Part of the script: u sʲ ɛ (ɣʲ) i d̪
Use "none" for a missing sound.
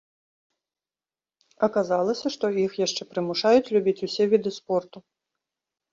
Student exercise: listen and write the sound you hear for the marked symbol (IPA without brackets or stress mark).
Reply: vʲ